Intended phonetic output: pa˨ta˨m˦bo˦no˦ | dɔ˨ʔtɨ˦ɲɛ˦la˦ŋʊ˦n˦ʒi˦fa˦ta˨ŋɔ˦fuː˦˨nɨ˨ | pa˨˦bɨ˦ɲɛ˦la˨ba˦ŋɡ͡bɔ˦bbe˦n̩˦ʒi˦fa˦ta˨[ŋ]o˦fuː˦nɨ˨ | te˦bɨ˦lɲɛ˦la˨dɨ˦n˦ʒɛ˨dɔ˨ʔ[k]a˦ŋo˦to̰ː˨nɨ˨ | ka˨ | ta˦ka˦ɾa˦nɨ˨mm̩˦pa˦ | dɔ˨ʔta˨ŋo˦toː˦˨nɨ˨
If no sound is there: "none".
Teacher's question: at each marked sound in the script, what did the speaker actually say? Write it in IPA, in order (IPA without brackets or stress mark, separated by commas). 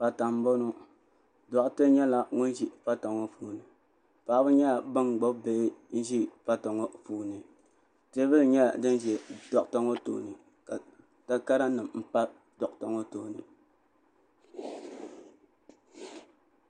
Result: ŋ, t